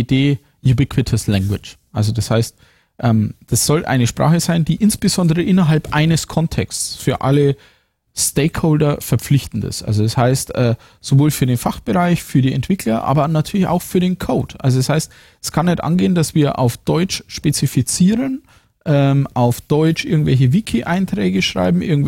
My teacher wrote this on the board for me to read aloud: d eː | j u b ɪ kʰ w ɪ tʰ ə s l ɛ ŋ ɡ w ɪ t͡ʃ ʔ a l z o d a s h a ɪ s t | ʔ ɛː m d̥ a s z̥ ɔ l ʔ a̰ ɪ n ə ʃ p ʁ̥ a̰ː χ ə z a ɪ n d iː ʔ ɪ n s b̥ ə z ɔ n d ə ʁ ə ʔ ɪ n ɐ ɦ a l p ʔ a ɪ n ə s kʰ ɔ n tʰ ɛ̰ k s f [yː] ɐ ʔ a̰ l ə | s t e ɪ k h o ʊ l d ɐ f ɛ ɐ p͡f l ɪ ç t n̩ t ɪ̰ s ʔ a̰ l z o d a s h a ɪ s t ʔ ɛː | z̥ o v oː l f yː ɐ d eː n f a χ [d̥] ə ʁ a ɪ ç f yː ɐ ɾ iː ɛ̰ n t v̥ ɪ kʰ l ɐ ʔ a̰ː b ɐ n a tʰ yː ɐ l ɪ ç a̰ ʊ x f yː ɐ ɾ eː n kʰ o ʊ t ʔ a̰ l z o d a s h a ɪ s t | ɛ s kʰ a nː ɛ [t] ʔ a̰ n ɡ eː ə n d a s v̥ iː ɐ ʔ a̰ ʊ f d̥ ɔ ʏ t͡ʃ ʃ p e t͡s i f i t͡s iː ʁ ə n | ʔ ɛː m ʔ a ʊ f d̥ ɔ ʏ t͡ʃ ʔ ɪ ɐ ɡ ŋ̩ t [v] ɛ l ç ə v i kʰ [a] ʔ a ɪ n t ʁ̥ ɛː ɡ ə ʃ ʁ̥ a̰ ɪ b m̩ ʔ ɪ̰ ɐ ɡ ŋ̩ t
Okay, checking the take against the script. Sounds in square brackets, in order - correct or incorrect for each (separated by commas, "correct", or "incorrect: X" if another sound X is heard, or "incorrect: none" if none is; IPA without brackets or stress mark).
correct, incorrect: b̥, correct, correct, incorrect: i